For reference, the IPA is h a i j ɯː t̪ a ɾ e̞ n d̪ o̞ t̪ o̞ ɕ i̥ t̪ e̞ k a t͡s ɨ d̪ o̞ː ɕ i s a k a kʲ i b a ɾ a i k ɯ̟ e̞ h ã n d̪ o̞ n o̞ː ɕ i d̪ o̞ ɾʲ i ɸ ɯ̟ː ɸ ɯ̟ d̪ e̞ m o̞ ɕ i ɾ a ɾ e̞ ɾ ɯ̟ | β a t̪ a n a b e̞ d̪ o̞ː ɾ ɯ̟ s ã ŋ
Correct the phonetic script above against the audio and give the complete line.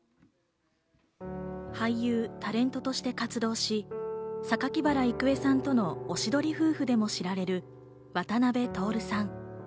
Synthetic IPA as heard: h a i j ɯː t̪ a ɾ ẽ̞ n t̪ o̞ t̪ o̞ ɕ i̥ t̪ e̞ k a t͡s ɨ d̪ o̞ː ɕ i s a k a kʲ i b a ɾ a i k ɯ̟ e̞ s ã n t̪ o̞ n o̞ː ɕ i d̪ o̞ ɾʲ i ɸ ɯ̟ː ɸ ɯ̟ d̪ e̞ m o̞ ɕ i ɾ a ɾ e̞ ɾ ɯ̟ | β a t̪ a n a b e̞ t̪ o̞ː ɾ ɯ̟ s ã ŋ